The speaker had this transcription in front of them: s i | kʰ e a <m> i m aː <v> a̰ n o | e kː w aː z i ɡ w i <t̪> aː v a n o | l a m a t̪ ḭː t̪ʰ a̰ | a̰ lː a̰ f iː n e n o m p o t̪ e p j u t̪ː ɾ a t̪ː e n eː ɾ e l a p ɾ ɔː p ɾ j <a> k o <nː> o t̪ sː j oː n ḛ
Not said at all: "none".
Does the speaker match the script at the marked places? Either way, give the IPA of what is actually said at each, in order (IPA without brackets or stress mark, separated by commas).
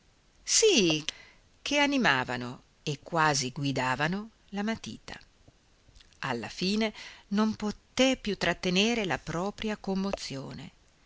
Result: n, v, d̪, a, mː